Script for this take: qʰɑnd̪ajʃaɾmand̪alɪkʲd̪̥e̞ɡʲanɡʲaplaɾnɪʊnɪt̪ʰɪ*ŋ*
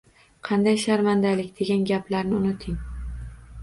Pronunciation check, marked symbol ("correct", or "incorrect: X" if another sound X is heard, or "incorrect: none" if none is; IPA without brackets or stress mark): correct